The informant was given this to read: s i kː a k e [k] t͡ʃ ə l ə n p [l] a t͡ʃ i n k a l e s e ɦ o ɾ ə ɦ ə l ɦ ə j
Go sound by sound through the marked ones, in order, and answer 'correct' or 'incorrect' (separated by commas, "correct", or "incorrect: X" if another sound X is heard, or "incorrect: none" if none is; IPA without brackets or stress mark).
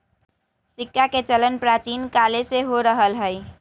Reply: incorrect: none, incorrect: ɾ